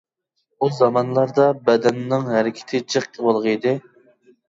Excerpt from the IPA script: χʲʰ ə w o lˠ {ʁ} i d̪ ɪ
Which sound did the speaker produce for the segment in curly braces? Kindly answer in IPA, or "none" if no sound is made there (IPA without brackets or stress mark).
ʁ